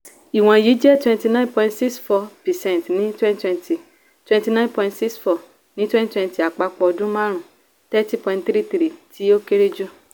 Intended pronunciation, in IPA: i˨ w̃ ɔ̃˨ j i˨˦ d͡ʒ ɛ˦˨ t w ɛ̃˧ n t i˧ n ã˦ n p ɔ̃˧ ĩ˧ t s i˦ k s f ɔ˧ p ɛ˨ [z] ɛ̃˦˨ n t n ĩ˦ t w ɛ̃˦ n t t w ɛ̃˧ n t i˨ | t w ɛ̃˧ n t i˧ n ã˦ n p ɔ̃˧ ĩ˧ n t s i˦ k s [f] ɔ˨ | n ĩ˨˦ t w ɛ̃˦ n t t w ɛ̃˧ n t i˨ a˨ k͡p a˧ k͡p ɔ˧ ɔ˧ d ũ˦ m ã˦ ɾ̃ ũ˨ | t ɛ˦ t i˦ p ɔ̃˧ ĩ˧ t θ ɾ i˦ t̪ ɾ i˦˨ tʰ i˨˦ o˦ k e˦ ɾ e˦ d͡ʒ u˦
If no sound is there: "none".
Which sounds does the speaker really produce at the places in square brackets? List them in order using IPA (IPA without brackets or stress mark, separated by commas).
s, f